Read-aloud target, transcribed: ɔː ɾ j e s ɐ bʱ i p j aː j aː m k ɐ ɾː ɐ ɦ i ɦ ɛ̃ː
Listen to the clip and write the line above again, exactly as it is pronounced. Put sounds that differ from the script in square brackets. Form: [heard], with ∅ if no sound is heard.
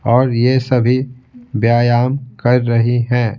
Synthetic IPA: ɔː ɾ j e s ɐ bʱ i [b] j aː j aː m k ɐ ɾː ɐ ɦ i ɦ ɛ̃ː

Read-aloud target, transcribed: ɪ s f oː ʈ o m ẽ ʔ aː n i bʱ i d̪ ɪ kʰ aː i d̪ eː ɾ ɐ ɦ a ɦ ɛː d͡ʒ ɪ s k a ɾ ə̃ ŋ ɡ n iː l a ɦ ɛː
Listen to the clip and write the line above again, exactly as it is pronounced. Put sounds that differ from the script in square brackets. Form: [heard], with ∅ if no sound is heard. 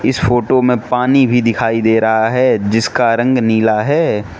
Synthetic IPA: ɪ s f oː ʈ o m ẽ [p] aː n i bʱ i d̪ ɪ kʰ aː i d̪ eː ɾ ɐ ɦ a ɦ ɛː d͡ʒ ɪ s k a ɾ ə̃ ŋ ɡ n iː l a ɦ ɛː

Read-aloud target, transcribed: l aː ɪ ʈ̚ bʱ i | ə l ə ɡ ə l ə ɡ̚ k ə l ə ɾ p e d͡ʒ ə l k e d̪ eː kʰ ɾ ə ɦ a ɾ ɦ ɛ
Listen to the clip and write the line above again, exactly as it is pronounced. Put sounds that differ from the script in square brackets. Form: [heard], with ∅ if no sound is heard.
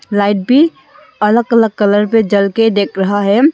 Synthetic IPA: l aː ɪ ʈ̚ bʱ i | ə l ə ɡ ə l ə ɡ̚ k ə l ə ɾ p e d͡ʒ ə l k e d̪ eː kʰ ɾ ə ɦ a [∅] ɦ ɛ

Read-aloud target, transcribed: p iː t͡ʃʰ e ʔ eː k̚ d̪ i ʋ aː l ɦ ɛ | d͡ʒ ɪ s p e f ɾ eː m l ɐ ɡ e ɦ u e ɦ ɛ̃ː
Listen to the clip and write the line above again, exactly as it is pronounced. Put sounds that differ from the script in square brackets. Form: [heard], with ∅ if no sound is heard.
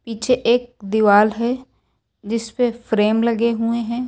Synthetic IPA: p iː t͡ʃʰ e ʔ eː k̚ d̪ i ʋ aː l ɦ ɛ | d͡ʒ ɪ s p e f ɾ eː m l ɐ ɡ e ɦ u e ɦ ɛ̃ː

